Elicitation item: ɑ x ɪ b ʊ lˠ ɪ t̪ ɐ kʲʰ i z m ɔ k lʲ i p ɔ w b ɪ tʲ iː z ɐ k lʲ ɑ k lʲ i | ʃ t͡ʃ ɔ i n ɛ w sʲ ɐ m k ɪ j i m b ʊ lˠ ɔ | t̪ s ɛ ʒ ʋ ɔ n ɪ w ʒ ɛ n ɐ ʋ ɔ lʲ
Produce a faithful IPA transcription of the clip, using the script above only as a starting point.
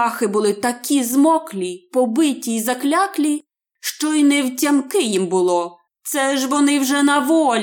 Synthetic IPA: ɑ x ɪ b ʊ lˠ ɪ t̪ ɐ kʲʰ i z m ɔ k lʲ i p ɔ b ɪ tʲ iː z ɐ k lʲ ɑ k lʲ i | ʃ t͡ʃ ɔ i n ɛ w tʲ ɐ m k ɪ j i m b ʊ lˠ ɔ | t̪ s ɛ ʒ ʋ ɔ n ɪ w ʒ ɛ n ɐ ʋ ɔ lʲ